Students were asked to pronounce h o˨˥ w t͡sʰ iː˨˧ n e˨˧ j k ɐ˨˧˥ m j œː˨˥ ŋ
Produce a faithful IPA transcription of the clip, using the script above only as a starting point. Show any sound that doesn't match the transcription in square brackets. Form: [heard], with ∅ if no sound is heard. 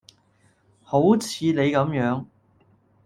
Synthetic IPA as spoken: h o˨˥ w t͡sʰ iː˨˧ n e˨˧ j k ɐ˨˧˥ m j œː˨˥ ŋ